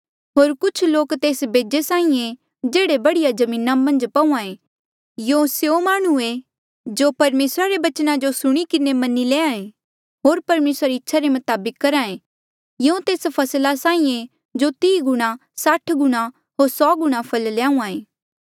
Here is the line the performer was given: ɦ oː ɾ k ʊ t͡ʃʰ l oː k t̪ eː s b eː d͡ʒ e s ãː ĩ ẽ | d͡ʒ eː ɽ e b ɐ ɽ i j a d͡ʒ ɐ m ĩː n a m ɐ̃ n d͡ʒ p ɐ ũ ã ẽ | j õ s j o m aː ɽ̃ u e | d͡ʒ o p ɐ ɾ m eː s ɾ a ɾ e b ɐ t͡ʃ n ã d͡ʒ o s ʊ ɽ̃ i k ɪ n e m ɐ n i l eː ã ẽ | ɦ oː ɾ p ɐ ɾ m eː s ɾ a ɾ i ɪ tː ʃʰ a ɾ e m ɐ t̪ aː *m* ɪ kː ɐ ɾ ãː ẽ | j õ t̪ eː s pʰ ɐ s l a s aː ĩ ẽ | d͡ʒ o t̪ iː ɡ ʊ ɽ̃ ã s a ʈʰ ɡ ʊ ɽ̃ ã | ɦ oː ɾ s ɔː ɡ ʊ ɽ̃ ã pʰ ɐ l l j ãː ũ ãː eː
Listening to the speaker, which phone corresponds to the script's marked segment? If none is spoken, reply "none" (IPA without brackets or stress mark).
b